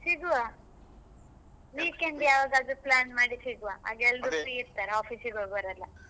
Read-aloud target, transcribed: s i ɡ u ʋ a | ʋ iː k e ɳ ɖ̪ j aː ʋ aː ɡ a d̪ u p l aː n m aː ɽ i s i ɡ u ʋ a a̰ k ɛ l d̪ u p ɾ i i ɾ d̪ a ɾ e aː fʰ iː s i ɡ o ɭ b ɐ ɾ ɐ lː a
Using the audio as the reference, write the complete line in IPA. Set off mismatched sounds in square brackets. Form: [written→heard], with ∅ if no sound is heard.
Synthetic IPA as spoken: s i ɡ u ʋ a | ʋ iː k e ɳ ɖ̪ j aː ʋ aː ɡ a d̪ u p l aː n m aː ɽ i s i ɡ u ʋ a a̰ [k→ɡ] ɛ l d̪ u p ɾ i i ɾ [d̪→t̪] a ɾ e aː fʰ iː s i ɡ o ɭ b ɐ ɾ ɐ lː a